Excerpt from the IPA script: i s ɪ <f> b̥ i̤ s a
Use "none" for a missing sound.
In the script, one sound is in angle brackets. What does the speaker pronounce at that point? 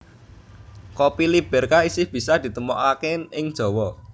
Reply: h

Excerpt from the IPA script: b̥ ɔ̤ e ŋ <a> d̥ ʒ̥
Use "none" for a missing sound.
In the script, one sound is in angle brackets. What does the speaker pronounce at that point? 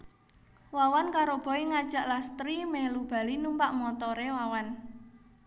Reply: a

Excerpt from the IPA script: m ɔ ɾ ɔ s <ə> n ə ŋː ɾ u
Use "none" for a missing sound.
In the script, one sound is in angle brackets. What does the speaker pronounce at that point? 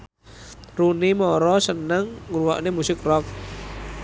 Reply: ə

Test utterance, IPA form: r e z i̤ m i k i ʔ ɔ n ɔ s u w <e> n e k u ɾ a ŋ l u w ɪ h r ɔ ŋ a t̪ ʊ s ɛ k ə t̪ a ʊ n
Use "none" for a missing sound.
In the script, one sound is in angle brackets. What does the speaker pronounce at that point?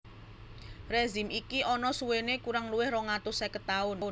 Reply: e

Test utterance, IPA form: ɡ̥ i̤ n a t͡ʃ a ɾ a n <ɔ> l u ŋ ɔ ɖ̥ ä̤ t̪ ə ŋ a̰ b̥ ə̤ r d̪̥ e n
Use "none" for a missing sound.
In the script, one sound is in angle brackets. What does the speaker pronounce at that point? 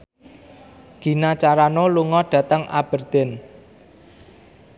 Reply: o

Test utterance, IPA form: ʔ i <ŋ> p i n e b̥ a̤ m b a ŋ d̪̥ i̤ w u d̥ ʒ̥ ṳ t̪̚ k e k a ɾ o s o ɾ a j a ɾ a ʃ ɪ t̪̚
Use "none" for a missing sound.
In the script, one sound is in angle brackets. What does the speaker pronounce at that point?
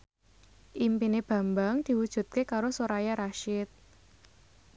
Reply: m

